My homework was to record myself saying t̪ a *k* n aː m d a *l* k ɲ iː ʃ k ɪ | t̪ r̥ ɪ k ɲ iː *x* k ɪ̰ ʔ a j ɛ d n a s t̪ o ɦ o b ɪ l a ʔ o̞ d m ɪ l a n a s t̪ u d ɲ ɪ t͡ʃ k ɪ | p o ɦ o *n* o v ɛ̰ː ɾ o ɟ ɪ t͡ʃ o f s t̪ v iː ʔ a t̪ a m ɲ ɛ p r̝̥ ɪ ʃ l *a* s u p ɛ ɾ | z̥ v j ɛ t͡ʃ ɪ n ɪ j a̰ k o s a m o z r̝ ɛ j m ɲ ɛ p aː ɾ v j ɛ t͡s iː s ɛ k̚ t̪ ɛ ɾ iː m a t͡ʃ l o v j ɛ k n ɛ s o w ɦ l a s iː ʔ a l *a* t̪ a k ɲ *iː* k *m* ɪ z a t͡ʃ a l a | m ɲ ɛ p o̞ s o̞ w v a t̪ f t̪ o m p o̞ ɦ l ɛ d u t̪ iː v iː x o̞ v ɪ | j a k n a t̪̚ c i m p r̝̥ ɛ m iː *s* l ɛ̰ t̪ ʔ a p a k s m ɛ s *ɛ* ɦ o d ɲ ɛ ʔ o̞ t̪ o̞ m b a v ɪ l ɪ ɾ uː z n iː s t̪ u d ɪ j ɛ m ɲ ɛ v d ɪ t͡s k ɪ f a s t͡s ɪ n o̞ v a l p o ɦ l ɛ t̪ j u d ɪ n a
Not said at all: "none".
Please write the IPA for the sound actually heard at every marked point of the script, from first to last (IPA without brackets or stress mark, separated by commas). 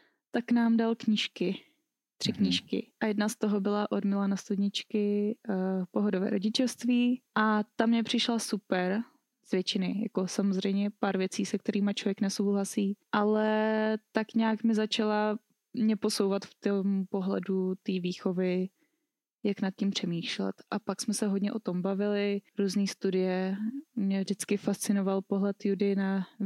k, l, ʃ, d, a, ɛ, aː, m, ʃ, ɛ